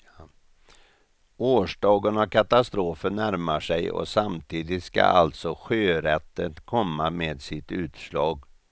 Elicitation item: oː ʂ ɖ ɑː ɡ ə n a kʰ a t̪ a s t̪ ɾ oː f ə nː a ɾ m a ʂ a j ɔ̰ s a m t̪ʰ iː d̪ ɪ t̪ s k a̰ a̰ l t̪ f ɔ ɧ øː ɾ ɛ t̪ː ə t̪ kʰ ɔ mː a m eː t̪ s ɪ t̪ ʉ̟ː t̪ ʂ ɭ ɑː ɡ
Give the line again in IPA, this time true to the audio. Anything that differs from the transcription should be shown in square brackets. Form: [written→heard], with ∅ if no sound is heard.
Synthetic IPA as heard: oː ʂ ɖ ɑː ɡ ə n a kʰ a t̪ a s t̪ ɾ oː f ə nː [a→æ] ɾ m a ʂ [a→ɛ] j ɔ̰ s a m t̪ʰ iː d̪ ɪ t̪ s k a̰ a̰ l t̪ [f→s] ɔ ɧ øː ɾ ɛ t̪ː ə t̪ kʰ ɔ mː a m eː [t̪→d̪] s ɪ t̪ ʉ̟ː t̪ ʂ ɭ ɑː ɡ

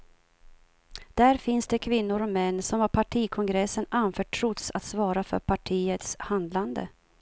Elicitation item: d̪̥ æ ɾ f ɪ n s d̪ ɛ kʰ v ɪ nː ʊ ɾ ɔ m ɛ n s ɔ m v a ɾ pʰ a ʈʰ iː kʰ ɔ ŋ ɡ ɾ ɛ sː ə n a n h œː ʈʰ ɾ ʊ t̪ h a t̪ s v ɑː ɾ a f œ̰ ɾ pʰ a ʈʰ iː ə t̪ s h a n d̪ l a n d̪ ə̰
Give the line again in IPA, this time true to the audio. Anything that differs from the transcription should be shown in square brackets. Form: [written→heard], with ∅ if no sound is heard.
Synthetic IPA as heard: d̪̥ æ ɾ f ɪ n s d̪ ɛ kʰ v ɪ nː ʊ ɾ ɔ m ɛ [n→nː] s ɔ m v a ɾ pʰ a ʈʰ iː kʰ ɔ ŋ ɡ ɾ ɛ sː ə n a n [h→f] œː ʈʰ ɾ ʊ t̪ [h→s] a t̪ s v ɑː ɾ a f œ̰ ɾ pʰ a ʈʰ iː ə t̪ s h a n d̪ l a n d̪ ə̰

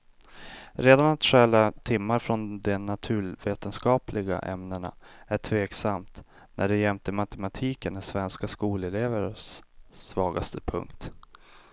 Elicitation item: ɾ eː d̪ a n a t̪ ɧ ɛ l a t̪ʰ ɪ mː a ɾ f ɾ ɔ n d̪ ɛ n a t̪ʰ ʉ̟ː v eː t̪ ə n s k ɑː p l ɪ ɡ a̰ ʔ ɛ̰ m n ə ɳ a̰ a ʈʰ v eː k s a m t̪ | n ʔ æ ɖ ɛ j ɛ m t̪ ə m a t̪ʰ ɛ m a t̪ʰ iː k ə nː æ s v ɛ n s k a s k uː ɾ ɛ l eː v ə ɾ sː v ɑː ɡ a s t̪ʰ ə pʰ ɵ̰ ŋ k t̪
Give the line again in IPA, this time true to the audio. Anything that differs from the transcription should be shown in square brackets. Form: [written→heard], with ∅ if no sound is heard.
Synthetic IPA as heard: ɾ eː d̪ a n a t̪ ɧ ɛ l a t̪ʰ ɪ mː a ɾ f ɾ ɔ n d̪ ɛ n a t̪ʰ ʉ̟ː v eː t̪ ə n s k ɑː p l ɪ ɡ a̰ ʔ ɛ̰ m n ə ɳ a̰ [a→æ] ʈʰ v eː k s a m t̪ | n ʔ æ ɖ ɛ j ɛ m t̪ ə m a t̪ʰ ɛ m a t̪ʰ iː k ə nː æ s v ɛ n s k a s k uː [ɾ→l] ɛ l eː v ə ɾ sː v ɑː ɡ a s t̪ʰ ə pʰ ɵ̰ ŋ k t̪

